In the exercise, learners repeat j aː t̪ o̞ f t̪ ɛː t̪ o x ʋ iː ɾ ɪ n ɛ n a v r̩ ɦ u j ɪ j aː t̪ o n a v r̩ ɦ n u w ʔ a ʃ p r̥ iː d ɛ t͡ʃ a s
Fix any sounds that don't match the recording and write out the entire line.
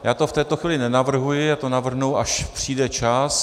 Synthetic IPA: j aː t̪ o̞ f t̪ ɛː t̪ o x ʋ iː l ɪ n ɛ n a v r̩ ɦ u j ɪ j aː t̪ o n a v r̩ ɦ n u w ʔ a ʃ p r̥ iː d ɛ t͡ʃ a s